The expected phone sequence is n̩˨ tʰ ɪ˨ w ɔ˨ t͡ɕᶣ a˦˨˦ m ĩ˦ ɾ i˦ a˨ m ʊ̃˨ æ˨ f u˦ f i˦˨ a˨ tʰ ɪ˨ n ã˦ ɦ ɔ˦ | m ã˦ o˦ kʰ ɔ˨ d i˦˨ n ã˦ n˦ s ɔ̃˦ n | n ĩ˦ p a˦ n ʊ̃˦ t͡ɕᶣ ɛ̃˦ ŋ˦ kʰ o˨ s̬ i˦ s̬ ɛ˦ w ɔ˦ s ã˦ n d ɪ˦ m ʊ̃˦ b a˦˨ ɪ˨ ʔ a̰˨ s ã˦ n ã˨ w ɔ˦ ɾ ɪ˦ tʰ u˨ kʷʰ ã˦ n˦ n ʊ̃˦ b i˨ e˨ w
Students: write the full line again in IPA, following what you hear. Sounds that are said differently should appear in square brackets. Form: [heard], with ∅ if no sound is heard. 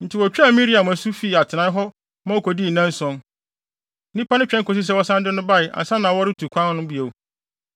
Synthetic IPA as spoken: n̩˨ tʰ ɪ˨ w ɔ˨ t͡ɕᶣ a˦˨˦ m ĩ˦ ɾ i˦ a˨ m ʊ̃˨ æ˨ [s] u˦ f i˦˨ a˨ tʰ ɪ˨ n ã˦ ɦ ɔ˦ | m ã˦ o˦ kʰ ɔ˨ d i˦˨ n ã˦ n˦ s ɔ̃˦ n | n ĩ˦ p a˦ n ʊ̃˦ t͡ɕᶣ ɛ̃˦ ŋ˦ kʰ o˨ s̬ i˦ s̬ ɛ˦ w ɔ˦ s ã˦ n d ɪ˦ [n] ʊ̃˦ b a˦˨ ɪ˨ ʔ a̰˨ s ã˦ n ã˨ w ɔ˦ ɾ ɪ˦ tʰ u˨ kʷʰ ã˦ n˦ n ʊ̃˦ b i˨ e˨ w